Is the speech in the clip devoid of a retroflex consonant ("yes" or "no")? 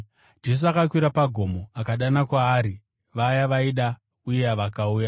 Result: yes